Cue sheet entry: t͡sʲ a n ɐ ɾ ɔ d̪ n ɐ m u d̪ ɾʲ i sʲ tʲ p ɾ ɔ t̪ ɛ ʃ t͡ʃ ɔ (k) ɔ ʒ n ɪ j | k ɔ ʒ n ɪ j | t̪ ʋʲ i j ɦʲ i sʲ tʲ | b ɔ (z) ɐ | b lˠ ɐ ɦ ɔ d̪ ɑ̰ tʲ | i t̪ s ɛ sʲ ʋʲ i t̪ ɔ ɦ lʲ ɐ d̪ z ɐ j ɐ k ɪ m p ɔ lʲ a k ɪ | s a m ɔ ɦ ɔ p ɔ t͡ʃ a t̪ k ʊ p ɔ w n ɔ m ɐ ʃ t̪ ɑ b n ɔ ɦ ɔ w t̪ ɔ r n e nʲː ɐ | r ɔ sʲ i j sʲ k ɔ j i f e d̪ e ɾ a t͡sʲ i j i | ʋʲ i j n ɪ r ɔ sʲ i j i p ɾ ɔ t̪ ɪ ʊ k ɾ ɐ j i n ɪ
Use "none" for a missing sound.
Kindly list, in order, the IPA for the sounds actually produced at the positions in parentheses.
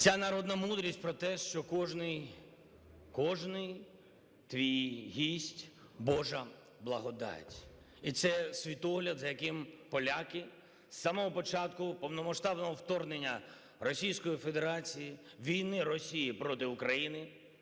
k, ʒ

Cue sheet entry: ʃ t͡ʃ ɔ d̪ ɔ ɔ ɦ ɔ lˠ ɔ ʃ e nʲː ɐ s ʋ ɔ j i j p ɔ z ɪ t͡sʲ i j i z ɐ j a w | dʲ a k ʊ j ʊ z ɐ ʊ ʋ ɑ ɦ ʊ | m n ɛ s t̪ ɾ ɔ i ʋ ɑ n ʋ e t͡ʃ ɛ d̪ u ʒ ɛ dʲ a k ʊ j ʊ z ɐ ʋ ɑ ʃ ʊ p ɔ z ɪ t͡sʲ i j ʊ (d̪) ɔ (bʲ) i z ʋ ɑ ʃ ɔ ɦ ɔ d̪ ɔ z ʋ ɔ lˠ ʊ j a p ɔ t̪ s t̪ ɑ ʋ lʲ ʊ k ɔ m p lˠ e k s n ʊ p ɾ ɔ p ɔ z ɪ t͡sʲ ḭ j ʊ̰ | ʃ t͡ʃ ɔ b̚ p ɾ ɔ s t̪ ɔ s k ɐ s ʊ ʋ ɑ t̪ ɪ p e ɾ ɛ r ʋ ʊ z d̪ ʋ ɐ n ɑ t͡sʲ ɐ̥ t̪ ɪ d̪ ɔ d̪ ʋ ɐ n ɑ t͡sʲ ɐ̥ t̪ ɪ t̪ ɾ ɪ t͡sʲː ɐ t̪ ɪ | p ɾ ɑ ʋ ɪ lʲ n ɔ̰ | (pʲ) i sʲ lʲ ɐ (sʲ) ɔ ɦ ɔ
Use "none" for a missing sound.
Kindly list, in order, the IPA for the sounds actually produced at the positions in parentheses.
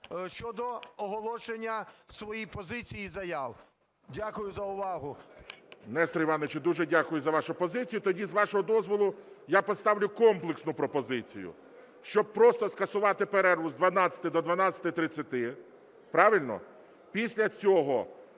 t̪, dʲ, pʲ, t͡sʲ

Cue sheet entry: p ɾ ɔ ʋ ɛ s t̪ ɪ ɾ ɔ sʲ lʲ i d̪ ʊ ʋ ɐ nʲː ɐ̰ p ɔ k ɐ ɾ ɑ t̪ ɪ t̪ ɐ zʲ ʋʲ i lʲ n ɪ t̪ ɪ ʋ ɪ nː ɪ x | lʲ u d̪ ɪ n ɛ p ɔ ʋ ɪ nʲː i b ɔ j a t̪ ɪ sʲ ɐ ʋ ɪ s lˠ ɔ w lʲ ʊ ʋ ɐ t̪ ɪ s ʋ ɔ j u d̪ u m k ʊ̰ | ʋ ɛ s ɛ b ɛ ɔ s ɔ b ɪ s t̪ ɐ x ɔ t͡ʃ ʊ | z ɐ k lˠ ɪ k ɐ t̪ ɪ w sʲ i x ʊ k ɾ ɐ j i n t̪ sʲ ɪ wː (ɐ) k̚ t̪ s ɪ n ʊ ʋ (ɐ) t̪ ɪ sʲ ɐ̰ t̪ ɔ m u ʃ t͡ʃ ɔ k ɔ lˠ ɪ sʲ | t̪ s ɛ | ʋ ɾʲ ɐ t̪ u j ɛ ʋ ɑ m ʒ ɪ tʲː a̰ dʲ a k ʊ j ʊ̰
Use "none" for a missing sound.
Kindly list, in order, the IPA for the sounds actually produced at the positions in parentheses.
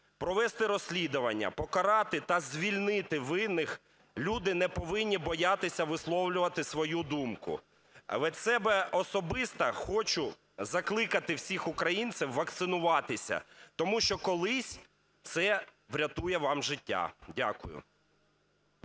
ɐ, ɑ

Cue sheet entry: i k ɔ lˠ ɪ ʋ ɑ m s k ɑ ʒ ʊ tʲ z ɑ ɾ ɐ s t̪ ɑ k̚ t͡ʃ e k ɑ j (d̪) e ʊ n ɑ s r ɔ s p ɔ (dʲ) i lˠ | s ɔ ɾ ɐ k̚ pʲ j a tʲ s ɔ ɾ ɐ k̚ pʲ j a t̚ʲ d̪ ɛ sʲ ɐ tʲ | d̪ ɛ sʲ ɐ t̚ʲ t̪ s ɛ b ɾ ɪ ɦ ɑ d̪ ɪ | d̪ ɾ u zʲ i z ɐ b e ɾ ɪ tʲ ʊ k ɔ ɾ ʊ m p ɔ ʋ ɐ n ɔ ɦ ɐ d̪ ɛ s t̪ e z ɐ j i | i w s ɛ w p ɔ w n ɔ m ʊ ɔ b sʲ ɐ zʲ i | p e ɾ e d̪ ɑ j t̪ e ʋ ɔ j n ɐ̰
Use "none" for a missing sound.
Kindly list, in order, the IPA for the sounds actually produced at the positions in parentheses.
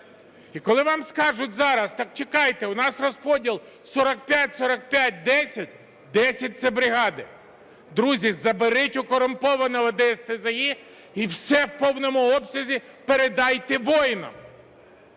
t̪, dʲ

